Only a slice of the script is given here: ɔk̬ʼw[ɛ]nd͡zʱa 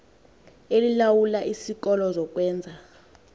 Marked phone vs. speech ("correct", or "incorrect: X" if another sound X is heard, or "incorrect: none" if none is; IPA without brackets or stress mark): incorrect: ɛː